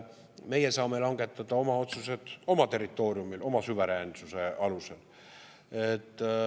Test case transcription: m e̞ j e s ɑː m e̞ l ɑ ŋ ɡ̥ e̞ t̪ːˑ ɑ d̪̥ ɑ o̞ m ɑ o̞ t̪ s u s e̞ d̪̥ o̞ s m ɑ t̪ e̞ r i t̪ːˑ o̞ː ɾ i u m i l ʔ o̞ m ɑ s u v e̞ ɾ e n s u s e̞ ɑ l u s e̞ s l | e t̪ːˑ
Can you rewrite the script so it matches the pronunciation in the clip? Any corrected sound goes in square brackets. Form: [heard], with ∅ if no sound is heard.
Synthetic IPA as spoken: m e̞ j e s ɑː m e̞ l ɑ ŋ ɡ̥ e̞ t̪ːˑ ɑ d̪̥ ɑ o̞ m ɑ o̞ t̪ s u s e̞ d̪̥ o̞ [∅] m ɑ t̪ e̞ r i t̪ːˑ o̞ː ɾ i u m i l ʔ o̞ m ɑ s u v e̞ ɾ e n s u s e̞ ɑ l u s e̞ [∅] l | e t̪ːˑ